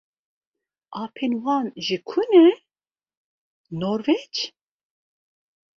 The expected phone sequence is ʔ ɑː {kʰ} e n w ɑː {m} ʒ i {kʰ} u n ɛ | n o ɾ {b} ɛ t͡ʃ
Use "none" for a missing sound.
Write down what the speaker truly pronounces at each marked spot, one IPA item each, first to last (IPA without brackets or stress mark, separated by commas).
pʰ, n, kʰ, v